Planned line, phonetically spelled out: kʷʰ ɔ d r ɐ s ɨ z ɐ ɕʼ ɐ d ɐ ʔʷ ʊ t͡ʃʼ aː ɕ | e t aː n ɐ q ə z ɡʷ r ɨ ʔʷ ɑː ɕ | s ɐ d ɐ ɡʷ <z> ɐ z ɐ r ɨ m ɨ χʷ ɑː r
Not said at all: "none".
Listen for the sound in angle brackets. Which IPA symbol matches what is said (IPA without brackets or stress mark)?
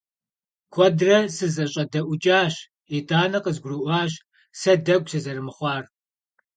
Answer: s